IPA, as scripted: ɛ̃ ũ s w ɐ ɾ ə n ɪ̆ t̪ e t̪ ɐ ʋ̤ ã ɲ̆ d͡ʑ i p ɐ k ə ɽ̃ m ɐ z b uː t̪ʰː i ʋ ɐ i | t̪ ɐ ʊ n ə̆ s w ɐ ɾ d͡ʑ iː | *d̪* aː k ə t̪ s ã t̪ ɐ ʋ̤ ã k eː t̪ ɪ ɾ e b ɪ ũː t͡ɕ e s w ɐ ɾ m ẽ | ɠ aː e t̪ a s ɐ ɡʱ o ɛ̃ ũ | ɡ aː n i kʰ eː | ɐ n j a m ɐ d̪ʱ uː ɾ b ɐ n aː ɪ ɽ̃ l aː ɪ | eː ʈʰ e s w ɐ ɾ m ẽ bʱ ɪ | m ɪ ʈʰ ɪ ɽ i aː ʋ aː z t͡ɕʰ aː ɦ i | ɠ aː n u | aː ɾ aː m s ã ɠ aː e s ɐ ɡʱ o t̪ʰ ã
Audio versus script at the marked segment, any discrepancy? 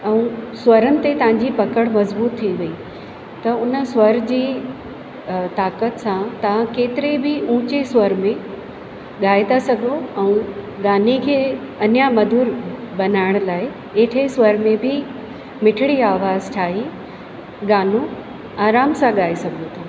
yes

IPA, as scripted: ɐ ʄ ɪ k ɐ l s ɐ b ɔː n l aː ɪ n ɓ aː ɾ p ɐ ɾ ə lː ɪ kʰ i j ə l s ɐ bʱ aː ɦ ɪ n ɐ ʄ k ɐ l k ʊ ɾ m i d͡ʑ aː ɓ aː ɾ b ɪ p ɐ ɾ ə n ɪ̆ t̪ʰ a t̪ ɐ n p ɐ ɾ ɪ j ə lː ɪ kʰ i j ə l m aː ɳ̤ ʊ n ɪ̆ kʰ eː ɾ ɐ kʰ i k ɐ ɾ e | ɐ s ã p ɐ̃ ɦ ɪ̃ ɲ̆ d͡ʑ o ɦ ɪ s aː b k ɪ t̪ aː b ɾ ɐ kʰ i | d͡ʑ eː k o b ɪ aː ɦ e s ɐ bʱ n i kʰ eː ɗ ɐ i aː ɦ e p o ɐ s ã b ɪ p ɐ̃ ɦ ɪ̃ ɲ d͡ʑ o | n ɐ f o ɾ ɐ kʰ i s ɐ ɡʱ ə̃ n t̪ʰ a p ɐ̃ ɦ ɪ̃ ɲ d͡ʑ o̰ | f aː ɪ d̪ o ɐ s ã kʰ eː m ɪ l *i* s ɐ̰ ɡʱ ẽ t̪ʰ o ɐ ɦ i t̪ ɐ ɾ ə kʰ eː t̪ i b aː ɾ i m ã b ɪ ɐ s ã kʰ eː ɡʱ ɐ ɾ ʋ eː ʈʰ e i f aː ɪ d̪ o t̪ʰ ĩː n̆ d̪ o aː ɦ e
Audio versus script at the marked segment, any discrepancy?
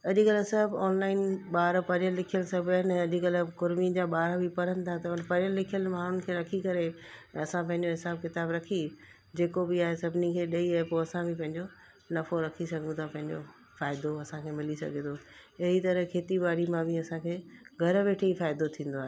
no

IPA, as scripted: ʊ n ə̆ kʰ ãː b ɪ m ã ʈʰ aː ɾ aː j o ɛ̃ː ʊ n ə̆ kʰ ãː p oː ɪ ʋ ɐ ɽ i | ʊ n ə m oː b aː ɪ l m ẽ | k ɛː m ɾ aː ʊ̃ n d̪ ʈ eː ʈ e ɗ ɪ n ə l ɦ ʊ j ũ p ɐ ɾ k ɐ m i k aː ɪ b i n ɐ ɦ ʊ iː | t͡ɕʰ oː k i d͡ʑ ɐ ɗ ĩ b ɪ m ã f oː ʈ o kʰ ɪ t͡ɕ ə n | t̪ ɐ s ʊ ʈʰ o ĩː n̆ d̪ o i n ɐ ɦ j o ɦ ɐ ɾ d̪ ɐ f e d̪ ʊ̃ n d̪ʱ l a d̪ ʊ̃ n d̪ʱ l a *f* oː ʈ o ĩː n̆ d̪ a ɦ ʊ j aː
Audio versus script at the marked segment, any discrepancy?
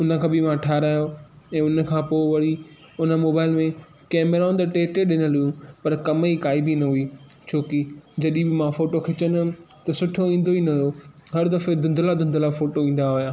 no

